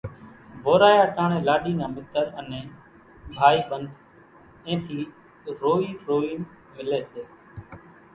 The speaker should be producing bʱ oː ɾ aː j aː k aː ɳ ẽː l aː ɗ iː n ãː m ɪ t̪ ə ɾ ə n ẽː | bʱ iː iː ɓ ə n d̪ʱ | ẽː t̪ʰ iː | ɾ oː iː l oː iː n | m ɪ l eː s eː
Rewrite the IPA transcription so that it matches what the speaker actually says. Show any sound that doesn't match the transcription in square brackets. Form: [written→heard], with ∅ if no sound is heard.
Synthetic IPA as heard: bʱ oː ɾ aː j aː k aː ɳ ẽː l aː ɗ iː n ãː m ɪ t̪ ə ɾ ə n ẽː | bʱ [iː→aː] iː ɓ ə n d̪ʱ | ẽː t̪ʰ iː | ɾ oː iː [l→ɾ] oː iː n | m ɪ l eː s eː